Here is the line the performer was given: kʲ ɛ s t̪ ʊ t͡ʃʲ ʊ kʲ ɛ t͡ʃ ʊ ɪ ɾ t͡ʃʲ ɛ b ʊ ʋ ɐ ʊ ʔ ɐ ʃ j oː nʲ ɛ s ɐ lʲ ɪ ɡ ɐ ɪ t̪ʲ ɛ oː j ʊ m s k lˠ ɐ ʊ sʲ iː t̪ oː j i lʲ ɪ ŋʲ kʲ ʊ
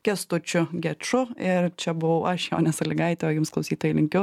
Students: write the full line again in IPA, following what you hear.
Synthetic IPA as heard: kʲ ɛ s t̪ ʊ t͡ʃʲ ʊ ɡʲ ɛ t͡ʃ ʊ ɪ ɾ t͡ʃʲ ɛ b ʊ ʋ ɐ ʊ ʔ ɐ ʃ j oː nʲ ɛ s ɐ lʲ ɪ ɡ ɐ ɪ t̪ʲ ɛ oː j ʊ m s k lˠ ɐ ʊ sʲ iː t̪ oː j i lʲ ɪ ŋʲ kʲ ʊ